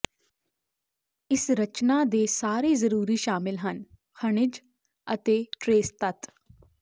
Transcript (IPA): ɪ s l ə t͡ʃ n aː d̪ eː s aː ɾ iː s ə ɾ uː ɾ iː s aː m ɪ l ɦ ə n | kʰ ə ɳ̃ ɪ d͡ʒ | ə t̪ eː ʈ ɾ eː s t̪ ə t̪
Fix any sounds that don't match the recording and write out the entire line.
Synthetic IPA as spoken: ɪ s ɾ ə t͡ʃ n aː d̪ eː s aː ɾ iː z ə ɾ uː ɾ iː ʃ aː m ɪ l ɦ ə n | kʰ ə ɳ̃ ɪ d͡ʒ | ə t̪ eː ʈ ɾ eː s t̪ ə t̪